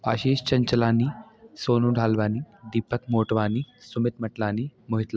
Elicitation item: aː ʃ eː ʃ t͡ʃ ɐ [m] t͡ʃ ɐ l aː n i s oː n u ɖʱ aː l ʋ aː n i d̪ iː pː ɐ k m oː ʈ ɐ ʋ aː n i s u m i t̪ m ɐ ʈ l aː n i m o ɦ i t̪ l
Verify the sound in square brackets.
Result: incorrect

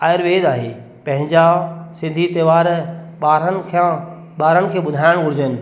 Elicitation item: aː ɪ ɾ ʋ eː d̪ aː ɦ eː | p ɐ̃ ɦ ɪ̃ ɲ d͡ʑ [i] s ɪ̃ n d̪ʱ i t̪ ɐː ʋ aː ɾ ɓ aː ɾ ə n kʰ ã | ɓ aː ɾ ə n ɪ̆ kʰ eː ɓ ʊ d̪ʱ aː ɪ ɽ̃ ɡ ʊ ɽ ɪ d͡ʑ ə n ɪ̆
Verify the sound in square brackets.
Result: incorrect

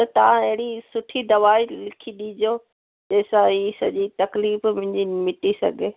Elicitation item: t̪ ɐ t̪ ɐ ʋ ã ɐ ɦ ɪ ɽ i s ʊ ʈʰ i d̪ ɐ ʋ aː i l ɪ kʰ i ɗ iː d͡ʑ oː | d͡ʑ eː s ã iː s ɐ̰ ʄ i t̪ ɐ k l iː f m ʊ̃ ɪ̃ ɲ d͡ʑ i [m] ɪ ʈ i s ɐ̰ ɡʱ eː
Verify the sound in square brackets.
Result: correct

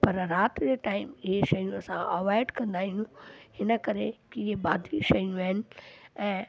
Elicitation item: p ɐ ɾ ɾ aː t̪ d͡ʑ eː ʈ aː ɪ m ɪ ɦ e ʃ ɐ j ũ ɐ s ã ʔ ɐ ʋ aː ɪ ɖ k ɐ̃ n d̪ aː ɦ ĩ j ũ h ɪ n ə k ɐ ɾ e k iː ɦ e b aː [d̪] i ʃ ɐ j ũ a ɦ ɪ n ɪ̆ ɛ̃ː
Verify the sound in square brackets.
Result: correct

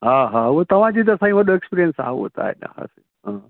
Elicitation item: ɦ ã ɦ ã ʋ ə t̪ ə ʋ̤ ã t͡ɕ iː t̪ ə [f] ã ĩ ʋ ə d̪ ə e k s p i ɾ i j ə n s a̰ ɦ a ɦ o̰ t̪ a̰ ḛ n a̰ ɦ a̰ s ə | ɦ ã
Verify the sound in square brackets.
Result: incorrect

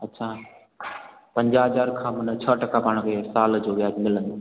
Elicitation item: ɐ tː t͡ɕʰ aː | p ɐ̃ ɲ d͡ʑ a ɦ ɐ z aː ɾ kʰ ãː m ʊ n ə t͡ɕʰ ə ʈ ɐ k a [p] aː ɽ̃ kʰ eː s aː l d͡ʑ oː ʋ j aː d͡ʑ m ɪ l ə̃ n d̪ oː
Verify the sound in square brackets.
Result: correct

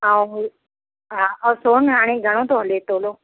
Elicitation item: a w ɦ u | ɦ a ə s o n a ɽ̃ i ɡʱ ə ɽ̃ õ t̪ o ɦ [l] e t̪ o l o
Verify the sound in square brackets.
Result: correct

